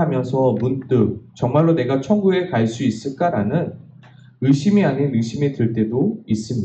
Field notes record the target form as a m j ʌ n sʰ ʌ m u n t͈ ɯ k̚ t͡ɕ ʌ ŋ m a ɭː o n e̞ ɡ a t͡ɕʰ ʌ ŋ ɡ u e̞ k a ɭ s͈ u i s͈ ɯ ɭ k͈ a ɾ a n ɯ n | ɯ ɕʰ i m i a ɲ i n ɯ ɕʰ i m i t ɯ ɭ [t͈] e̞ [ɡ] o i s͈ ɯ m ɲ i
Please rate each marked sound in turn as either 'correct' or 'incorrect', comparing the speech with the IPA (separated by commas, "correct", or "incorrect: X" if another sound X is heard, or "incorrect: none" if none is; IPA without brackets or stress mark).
correct, incorrect: d